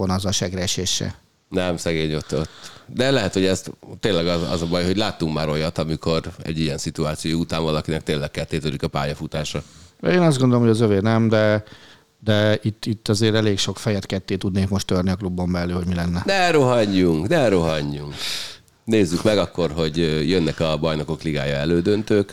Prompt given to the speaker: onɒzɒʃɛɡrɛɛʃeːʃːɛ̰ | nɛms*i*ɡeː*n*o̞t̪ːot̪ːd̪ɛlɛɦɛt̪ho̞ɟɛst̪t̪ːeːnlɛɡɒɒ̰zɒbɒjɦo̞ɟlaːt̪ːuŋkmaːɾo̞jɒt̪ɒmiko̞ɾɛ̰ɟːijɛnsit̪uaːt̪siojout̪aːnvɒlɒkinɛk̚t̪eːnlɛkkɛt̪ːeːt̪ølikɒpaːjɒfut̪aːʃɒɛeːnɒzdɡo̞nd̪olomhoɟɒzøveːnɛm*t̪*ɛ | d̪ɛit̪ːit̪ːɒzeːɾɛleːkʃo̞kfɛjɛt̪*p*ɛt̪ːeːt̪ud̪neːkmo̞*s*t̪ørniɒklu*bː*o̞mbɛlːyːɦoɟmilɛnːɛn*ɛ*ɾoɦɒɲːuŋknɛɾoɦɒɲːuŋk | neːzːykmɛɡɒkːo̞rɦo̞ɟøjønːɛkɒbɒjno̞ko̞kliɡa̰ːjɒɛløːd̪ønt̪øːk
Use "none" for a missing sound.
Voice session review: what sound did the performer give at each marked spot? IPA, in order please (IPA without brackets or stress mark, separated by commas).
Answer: ɛ, ɲ, d̪, k, ʃ, bː, ɛ